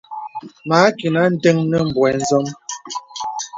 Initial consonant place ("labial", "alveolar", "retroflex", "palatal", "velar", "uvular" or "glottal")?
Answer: labial